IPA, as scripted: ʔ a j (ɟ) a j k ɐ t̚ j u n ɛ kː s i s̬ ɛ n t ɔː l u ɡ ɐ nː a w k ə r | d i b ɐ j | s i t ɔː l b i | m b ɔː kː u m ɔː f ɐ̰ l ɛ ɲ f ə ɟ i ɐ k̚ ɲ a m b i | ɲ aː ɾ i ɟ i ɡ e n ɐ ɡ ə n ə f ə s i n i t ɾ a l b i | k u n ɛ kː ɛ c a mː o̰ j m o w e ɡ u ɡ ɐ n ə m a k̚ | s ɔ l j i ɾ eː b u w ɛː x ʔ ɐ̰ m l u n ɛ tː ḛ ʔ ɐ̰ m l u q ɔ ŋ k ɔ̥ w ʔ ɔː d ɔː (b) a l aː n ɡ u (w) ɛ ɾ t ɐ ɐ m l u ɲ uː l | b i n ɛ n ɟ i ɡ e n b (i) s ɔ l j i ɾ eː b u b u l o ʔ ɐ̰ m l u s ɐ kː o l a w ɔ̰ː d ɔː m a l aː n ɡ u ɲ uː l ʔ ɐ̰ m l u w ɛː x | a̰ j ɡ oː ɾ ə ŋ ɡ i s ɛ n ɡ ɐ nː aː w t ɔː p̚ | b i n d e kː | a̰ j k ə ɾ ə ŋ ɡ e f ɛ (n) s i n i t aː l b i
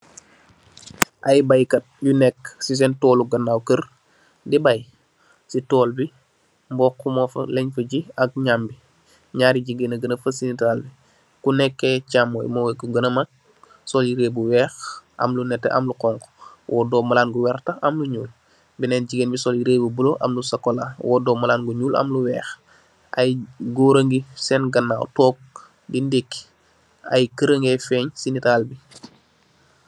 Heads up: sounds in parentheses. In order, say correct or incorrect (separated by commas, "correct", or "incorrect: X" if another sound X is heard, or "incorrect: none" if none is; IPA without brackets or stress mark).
incorrect: b, incorrect: m, correct, correct, incorrect: ɲ